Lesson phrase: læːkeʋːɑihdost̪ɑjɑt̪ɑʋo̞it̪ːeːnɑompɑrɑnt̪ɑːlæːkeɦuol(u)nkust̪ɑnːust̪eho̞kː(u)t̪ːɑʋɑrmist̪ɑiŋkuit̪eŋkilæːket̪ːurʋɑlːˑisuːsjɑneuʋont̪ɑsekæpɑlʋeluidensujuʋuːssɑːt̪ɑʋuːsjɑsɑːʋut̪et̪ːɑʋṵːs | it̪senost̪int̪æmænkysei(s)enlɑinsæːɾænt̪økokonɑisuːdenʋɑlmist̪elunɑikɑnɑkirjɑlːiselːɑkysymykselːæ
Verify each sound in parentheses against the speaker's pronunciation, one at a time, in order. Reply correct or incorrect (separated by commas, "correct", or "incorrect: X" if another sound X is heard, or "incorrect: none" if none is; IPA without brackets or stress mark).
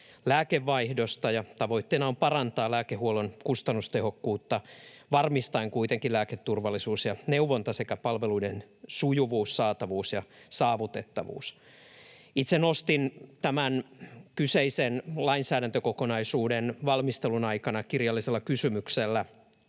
incorrect: o, incorrect: uː, correct